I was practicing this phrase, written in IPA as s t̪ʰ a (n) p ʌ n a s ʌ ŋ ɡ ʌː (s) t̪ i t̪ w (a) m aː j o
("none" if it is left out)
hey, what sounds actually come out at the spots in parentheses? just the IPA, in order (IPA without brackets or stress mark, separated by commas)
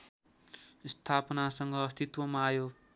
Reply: none, s, ʌ